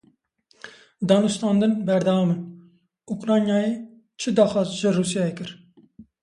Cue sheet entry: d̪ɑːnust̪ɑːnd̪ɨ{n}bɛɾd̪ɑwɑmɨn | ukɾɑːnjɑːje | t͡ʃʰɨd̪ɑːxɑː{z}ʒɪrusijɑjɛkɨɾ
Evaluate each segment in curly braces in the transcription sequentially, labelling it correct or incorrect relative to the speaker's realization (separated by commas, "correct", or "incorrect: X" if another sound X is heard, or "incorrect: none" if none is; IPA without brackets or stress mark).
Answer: correct, correct